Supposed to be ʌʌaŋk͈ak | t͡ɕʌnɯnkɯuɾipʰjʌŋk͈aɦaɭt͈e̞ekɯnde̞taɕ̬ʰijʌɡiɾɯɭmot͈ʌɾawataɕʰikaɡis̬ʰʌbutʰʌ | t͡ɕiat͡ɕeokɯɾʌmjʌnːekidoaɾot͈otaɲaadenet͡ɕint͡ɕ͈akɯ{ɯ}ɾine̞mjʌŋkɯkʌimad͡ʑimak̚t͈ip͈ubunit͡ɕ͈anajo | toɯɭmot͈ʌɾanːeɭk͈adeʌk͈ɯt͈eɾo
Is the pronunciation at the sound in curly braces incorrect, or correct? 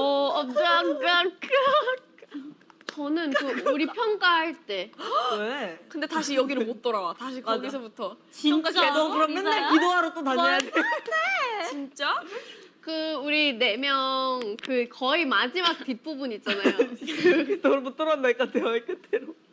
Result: incorrect